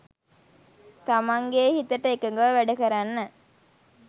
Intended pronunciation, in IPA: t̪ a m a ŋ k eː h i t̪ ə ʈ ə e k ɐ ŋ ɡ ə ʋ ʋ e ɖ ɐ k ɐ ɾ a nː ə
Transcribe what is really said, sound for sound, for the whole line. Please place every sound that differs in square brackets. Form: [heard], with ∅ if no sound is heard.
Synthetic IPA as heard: t̪ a m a ŋ [ɡ] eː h i t̪ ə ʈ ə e k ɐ ŋ ɡ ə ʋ ʋ [æ] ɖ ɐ k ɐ ɾ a nː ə